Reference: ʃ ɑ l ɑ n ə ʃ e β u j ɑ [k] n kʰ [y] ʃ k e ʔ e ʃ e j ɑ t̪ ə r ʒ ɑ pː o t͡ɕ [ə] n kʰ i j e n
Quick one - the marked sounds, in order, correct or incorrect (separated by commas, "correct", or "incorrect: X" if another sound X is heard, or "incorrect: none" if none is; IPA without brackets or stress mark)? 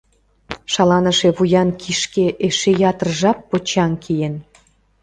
incorrect: none, incorrect: i, incorrect: ɑ